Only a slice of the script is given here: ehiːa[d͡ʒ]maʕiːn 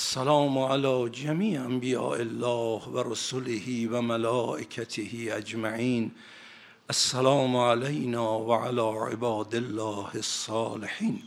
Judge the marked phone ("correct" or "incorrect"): correct